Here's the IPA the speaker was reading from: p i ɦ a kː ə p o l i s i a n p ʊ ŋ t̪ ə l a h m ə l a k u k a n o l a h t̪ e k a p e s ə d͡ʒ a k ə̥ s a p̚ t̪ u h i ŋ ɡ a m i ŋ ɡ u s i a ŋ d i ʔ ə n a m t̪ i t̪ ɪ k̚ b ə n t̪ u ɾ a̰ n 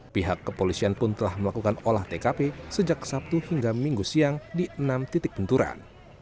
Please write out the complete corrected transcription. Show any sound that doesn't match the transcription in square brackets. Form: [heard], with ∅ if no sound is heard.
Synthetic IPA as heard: p i ɦ a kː ə p o l i s i a n p ʊ [n] t̪ ə l a h m ə l a k u k a n o l a h t̪ e k a p e s ə d͡ʒ a k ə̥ s a p̚ t̪ u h i ŋ ɡ a m i ŋ ɡ u s i a ŋ d i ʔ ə n a m t̪ i t̪ ɪ k̚ b ə n t̪ u ɾ a̰ n